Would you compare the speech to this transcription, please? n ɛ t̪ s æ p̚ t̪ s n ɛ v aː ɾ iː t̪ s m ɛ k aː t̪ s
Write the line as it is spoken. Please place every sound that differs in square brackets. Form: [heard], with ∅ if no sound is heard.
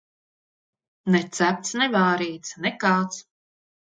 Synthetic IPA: n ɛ t̪ s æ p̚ t̪ s n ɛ v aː ɾ iː t̪ s [n] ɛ k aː t̪ s